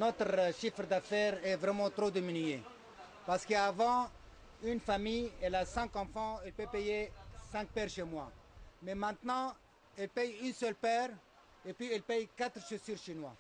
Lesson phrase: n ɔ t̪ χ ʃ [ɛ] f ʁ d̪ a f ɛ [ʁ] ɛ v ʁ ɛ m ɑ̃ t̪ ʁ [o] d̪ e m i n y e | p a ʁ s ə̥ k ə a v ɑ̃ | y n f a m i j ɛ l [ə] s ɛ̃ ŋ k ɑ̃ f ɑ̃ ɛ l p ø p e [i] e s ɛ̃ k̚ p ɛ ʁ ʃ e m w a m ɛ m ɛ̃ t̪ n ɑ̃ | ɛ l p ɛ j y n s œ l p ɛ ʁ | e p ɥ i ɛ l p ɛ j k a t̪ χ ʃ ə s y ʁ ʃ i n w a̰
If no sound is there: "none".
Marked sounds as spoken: i, ʁ, o, a, j

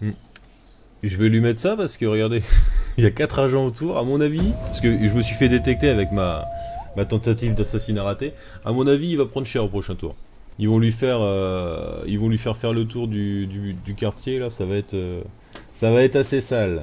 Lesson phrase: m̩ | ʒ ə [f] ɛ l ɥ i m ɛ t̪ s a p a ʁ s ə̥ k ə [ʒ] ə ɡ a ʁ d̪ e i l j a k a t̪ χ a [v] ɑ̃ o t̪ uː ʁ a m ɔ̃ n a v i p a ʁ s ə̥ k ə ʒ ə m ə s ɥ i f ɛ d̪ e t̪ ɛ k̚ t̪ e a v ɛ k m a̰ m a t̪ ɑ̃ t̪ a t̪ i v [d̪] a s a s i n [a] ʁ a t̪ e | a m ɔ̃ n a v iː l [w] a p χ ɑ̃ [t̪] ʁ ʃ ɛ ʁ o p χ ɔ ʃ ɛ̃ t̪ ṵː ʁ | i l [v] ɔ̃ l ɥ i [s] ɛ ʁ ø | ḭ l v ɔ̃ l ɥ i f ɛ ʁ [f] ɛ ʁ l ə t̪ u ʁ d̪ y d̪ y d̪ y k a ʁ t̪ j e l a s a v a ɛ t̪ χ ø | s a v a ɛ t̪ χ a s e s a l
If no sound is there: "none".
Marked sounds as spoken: v, ʁ, ʒ, d̪, a, v, d̪, v, f, f

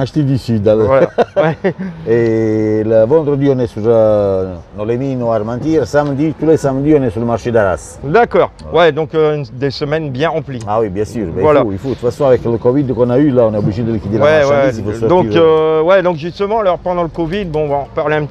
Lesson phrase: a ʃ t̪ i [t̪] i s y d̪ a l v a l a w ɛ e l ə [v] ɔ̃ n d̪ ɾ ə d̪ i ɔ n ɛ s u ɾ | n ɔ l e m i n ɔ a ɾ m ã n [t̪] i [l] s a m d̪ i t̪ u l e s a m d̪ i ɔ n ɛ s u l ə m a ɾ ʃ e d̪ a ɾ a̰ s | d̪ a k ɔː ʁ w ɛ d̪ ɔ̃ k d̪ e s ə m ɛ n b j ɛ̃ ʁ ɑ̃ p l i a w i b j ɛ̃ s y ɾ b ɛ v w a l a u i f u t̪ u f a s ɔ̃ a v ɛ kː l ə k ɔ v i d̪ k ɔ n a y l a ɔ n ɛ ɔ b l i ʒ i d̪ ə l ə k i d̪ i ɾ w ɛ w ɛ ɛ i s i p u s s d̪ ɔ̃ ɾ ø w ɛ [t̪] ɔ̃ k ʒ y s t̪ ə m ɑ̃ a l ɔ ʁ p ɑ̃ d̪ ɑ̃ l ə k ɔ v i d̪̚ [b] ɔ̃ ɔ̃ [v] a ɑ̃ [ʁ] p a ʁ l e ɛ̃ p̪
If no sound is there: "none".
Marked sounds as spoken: d̪, v, t̪, ɾ, d̪, b, v, ʁ

